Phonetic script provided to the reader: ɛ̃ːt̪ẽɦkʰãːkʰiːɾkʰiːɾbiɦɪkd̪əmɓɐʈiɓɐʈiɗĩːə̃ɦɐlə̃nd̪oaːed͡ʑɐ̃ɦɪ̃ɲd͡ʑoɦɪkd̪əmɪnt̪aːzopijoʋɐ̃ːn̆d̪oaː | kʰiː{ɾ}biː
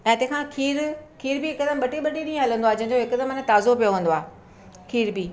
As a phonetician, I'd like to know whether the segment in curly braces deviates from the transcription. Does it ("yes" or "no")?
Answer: no